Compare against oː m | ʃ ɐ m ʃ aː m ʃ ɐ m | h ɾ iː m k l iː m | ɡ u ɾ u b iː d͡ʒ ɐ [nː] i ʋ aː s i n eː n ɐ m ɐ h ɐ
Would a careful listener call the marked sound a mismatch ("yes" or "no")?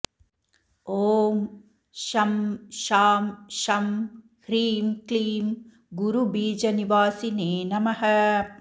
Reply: yes